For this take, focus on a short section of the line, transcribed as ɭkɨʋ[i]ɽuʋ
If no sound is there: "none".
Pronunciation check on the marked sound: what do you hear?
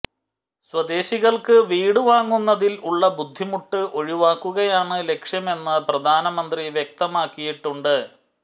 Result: iː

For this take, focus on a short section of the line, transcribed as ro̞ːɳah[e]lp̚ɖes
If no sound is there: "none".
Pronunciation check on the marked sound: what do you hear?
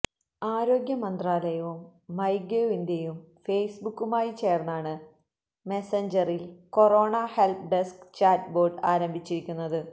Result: e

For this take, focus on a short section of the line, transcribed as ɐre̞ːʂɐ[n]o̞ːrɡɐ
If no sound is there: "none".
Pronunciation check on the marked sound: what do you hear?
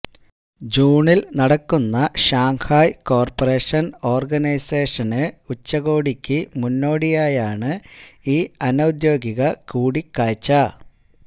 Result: n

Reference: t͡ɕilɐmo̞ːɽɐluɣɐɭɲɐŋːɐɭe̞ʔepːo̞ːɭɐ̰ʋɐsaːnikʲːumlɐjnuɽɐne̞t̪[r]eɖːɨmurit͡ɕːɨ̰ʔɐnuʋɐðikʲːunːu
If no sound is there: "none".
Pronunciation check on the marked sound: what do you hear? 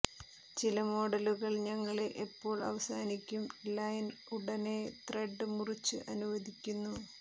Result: r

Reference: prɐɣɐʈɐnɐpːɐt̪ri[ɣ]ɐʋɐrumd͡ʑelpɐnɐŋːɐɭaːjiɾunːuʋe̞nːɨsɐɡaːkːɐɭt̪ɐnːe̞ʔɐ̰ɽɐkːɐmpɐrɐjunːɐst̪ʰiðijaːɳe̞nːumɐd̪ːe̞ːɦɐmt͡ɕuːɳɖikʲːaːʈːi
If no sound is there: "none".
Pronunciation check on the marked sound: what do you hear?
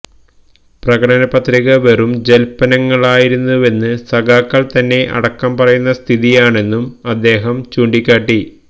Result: ɣ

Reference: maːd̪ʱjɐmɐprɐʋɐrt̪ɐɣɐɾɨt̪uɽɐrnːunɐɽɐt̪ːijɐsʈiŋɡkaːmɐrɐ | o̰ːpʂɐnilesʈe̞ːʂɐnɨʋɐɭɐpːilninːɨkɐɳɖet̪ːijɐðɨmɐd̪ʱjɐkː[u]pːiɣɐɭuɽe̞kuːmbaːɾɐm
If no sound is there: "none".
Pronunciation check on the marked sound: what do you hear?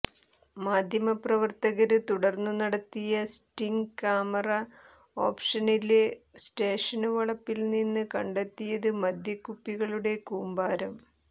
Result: u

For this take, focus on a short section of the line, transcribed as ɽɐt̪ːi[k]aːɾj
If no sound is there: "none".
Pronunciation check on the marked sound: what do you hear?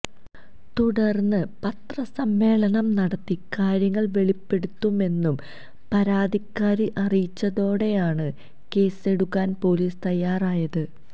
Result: k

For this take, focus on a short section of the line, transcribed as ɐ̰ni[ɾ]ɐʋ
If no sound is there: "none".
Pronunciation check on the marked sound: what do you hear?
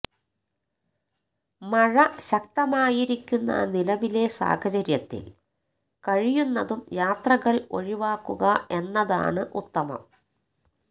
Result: l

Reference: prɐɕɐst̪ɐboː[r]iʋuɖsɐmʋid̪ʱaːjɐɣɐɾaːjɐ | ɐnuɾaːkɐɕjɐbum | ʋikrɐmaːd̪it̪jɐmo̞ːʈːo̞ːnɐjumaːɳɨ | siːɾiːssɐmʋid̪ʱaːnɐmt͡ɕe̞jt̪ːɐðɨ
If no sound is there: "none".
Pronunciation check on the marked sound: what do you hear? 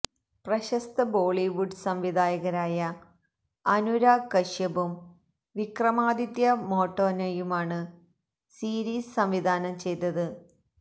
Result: ɭ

